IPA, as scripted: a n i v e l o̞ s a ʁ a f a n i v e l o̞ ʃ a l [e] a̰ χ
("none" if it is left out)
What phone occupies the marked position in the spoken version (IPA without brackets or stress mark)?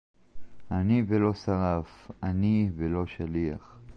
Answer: i